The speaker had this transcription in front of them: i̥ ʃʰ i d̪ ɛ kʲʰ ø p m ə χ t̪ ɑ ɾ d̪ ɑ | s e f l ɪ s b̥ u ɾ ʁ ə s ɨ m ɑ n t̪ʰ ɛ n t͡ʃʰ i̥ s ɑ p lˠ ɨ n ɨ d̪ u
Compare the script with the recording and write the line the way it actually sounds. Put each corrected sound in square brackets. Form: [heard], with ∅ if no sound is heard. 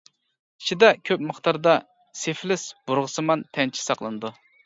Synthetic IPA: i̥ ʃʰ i d̪ ɛ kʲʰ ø p m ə χ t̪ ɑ ɾ d̪ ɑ | s e f l ɪ s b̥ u ɾ ʁ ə s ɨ m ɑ n t̪ʰ ɛ n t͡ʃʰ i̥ s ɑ [q] lˠ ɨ n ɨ d̪ u